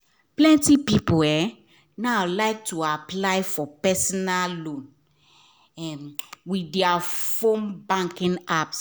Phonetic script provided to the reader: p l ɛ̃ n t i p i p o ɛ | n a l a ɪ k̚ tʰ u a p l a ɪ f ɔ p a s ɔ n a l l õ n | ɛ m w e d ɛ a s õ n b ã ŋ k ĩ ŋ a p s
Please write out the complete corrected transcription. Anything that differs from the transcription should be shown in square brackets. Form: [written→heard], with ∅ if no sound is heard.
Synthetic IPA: p l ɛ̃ n t i p i p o ɛ | n a l a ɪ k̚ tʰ u a p l a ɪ f ɔ p [a→ɛ] s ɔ n a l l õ n | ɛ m w [e→i] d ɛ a [s→f] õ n b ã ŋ k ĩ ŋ a p s